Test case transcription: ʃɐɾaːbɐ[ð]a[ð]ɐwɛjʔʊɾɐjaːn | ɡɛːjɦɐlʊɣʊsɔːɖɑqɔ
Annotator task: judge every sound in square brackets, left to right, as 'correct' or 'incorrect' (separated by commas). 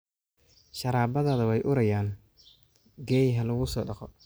correct, correct